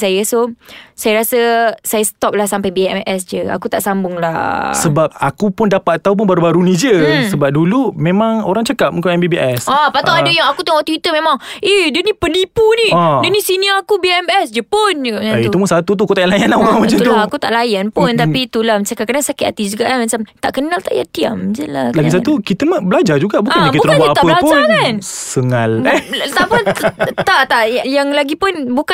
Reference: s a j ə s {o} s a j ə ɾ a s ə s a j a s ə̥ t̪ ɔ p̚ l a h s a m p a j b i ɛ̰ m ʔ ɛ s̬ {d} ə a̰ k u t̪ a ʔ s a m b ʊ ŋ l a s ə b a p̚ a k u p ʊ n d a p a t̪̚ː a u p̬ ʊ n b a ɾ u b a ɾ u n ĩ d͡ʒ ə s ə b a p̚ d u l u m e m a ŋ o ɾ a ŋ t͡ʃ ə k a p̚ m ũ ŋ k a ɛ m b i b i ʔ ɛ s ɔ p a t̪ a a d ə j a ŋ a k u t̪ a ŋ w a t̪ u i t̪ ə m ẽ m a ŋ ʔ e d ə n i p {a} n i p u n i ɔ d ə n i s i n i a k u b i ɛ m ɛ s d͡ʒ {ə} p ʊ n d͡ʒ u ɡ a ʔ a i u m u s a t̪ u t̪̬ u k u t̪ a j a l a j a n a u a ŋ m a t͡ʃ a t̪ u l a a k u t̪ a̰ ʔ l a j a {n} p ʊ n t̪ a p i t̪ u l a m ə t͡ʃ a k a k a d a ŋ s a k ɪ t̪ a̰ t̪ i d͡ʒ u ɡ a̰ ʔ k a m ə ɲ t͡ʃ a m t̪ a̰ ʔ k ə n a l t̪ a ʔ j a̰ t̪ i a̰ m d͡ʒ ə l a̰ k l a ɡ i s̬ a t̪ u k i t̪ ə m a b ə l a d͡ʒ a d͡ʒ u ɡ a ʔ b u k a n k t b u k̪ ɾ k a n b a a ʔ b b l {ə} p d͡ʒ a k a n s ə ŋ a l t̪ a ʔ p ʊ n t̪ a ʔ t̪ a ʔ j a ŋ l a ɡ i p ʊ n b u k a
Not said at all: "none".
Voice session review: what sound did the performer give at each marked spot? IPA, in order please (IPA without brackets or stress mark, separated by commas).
o, d͡ʒ, ə, ə, n, a